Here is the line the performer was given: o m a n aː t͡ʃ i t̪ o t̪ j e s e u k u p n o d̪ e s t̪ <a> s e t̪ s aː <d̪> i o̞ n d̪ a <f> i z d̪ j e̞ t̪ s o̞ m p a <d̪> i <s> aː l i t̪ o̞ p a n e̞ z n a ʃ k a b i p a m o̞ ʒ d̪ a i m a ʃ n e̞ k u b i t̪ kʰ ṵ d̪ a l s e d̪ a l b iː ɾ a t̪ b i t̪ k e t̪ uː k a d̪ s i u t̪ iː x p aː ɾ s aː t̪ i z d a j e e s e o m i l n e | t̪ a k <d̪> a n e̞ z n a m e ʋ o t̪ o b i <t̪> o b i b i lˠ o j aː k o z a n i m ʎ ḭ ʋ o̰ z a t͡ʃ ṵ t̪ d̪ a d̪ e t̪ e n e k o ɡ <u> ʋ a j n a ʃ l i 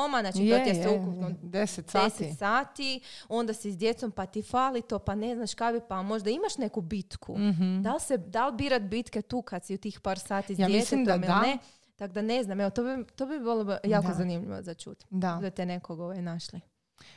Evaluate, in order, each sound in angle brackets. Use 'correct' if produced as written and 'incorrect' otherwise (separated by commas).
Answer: incorrect, incorrect, incorrect, incorrect, incorrect, correct, correct, incorrect